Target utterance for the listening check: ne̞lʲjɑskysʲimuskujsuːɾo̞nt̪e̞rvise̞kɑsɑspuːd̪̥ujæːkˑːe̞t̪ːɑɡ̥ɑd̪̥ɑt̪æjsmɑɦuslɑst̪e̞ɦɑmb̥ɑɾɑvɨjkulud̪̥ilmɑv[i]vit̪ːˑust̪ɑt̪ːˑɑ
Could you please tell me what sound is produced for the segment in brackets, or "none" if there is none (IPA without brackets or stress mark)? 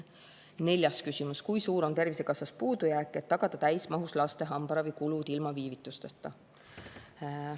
iː